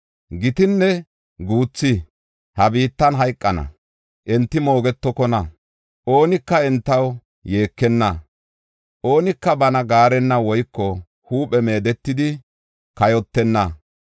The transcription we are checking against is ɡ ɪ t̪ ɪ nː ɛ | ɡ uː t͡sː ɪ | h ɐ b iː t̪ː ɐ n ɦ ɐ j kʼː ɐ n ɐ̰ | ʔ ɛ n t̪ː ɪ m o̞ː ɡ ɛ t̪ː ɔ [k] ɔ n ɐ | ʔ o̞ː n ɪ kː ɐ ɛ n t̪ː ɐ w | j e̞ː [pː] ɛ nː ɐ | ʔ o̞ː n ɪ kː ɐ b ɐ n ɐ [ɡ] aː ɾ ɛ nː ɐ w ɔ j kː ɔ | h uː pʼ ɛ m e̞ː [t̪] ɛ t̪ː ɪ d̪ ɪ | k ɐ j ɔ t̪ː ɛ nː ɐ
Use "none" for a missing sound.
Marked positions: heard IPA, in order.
k, kː, ɡ, d̪

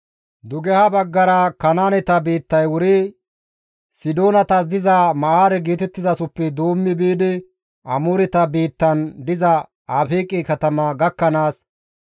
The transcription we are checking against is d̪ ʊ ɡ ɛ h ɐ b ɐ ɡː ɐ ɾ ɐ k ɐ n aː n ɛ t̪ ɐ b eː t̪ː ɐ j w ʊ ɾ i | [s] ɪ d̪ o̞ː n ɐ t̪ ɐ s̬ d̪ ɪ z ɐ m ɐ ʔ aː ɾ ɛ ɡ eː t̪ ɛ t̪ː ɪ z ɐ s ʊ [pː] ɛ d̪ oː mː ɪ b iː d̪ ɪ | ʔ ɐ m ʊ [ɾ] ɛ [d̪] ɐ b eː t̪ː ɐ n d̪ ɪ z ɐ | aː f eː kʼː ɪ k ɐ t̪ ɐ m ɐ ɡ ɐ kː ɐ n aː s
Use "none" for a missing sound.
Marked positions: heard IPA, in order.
s, pː, ɾ, t̪

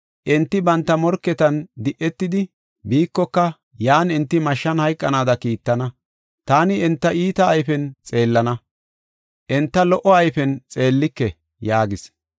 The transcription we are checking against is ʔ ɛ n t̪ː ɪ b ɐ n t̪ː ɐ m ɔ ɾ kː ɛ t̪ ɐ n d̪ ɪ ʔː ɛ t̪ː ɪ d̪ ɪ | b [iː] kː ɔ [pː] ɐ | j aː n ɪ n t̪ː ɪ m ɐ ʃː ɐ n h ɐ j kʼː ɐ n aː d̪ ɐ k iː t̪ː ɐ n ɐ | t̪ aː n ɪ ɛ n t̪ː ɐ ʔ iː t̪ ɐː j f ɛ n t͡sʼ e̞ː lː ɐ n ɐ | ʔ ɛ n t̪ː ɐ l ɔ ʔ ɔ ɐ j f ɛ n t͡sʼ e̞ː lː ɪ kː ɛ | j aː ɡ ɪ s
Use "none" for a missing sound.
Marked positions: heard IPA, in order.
iː, kː

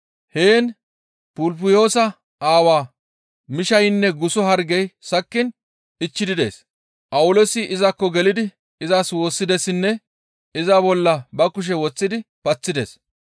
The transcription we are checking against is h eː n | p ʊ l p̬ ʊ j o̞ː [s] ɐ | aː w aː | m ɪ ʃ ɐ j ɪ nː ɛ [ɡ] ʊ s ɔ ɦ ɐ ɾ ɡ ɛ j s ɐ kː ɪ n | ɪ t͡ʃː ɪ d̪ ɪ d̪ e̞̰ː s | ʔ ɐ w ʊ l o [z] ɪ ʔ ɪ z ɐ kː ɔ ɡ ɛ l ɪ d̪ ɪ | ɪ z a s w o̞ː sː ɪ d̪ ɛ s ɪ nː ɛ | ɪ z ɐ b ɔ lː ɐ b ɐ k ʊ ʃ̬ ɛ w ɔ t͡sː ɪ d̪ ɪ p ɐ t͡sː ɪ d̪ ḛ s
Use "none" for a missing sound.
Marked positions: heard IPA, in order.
s, ɡ, s

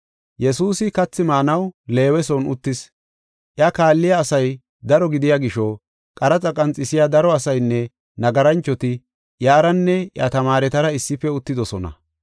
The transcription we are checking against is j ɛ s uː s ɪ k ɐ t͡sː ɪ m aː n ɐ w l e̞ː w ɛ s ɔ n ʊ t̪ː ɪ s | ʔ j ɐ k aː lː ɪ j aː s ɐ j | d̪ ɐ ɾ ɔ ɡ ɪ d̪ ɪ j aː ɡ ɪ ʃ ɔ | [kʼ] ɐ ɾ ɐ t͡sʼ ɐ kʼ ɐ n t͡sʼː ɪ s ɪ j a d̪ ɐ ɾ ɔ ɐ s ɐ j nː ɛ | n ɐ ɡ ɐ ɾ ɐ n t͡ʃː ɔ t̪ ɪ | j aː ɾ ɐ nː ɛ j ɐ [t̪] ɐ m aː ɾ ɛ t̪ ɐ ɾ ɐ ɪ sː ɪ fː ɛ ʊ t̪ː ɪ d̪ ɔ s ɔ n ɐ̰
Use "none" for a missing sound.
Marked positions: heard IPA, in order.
kʼ, t̪

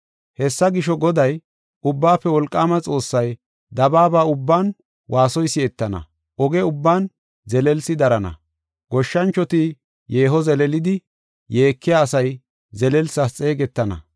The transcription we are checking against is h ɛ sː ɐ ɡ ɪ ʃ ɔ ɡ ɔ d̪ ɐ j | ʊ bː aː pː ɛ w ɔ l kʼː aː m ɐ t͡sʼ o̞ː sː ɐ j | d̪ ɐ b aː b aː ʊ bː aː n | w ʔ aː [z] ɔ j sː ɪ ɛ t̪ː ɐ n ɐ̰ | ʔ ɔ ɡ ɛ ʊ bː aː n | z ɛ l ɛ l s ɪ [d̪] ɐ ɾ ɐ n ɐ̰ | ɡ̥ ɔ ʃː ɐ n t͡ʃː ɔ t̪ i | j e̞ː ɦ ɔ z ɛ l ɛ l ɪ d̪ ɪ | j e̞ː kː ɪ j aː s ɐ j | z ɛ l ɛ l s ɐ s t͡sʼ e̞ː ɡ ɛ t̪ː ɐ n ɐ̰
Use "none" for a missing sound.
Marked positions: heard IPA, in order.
s, d̪

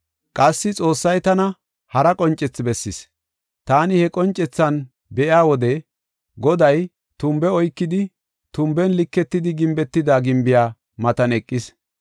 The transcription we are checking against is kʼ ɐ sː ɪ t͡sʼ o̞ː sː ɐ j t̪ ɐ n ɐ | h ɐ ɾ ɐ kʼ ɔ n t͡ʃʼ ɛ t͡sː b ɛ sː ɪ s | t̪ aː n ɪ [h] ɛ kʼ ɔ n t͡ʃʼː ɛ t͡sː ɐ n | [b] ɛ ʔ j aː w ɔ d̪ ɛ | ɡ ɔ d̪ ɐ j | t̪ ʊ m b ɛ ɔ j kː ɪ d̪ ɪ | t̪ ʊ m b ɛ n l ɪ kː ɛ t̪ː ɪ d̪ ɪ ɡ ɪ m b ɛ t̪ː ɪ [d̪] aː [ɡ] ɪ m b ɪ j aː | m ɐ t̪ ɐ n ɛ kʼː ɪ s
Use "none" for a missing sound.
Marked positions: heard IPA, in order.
h, b, d̪, ɡ

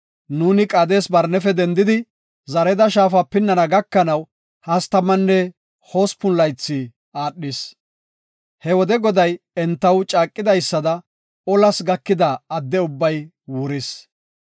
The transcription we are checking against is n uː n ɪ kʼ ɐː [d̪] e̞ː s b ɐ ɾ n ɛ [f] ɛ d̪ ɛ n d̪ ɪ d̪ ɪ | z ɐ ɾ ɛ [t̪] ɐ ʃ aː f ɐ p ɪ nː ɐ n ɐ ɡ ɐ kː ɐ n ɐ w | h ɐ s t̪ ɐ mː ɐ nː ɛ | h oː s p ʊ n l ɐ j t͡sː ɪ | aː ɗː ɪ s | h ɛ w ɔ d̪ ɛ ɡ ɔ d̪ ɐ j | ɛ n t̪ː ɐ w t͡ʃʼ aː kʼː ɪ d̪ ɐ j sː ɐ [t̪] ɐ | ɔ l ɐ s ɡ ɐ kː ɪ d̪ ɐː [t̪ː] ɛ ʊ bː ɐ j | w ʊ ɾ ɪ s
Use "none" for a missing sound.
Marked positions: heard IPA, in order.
d̪, f, d̪, d̪, d̪ː

